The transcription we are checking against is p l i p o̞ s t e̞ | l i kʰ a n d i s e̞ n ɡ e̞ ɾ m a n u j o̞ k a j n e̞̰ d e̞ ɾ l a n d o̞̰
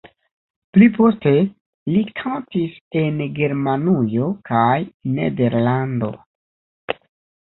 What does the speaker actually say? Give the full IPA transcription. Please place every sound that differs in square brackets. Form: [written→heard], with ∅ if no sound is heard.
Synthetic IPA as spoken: p l i p o̞ s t e̞ | l i kʰ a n [d→t] i s e̞ n ɡ e̞ ɾ m a n u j o̞ k a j n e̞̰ d e̞ ɾ l a n d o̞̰